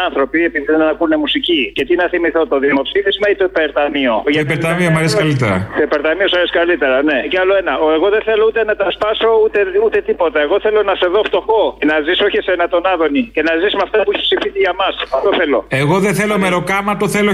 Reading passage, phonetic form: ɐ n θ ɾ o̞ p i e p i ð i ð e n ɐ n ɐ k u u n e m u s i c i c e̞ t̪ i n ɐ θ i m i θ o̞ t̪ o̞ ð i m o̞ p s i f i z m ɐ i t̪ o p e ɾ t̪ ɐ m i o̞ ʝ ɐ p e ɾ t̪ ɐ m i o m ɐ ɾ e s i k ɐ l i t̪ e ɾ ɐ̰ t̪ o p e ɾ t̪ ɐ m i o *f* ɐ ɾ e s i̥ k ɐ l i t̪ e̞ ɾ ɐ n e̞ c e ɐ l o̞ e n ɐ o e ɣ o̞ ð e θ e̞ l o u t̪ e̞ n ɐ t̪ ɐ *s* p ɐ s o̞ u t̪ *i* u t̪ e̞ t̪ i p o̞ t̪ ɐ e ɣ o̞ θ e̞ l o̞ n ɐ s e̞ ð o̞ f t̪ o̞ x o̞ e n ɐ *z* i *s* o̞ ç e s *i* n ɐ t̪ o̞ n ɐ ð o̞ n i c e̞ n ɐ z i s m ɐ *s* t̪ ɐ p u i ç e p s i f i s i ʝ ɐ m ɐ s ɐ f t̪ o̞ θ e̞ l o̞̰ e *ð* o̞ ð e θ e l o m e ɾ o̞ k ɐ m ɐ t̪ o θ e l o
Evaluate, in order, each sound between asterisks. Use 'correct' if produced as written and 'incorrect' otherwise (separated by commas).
incorrect, correct, incorrect, correct, correct, incorrect, incorrect, incorrect